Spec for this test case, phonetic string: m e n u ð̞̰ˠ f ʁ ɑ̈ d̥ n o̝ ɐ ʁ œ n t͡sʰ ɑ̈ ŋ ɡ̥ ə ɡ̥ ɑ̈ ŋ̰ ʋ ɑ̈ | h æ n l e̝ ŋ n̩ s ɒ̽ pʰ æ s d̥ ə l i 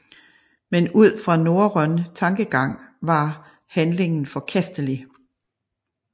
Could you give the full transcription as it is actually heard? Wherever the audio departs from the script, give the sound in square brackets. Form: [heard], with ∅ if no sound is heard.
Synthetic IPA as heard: m e n u ð̞̰ˠ f ʁ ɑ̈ [∅] n o̝ ɐ ʁ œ n t͡sʰ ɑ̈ ŋ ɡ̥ ə ɡ̥ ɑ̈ ŋ̰ ʋ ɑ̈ | h æ n l e̝ ŋ n̩ [f] ɒ̽ [kʰ] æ s d̥ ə l i